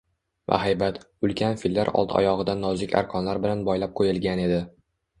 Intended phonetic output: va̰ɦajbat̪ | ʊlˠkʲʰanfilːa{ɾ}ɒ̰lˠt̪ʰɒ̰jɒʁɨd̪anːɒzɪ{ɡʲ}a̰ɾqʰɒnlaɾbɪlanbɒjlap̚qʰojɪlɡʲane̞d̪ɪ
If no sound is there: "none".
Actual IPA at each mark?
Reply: ɾ, kʲ

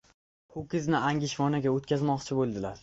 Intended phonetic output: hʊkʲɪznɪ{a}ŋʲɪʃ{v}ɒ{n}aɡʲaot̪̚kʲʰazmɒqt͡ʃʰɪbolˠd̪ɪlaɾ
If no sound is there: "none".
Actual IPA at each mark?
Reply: a, v, n

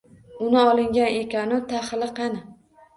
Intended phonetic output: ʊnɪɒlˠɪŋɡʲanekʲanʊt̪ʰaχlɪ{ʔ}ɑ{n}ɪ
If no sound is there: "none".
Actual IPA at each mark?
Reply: q, n

